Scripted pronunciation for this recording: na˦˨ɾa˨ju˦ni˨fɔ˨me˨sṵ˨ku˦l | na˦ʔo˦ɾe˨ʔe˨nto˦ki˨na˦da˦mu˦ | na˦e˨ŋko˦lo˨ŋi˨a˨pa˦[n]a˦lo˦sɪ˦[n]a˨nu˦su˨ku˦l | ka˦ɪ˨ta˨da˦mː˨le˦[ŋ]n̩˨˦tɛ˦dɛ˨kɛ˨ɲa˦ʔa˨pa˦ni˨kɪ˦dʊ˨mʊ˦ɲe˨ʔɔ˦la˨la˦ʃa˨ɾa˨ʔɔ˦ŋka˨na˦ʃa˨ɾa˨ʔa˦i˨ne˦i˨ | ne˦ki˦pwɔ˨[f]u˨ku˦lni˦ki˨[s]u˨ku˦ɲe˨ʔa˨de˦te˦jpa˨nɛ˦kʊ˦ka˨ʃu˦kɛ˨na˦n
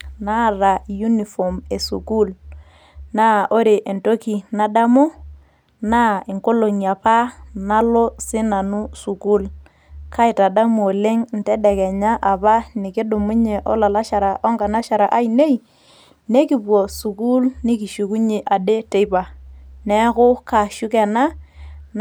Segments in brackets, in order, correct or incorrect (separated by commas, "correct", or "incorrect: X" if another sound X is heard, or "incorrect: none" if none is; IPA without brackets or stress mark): correct, correct, correct, incorrect: s, incorrect: ʃ